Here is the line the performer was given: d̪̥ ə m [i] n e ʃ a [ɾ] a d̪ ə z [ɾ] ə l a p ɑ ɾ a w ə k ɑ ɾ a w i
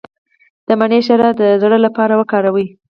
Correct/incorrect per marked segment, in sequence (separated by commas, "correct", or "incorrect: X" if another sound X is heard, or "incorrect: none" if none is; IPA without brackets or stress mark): incorrect: a, correct, incorrect: ɽ